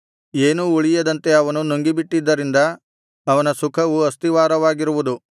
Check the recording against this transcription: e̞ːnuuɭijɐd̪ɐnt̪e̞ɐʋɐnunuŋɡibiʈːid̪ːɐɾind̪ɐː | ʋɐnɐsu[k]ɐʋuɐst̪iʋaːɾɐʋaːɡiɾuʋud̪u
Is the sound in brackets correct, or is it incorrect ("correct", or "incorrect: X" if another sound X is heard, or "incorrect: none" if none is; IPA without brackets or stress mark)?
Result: incorrect: kʰ